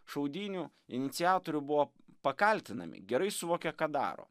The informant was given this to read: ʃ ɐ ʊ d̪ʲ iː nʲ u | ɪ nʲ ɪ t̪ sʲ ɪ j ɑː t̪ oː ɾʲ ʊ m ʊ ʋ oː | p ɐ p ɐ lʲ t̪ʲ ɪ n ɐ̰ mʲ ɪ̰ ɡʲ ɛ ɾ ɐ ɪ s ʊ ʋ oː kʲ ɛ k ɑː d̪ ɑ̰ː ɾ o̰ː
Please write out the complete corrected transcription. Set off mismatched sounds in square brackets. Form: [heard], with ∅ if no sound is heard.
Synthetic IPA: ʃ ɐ ʊ d̪ʲ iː nʲ u | ɪ nʲ ɪ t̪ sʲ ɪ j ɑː t̪ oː ɾʲ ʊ [b] ʊ ʋ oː | p ɐ [k] ɐ lʲ t̪ʲ ɪ n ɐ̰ mʲ ɪ̰ ɡʲ ɛ ɾ ɐ ɪ s ʊ ʋ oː kʲ ɛ k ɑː d̪ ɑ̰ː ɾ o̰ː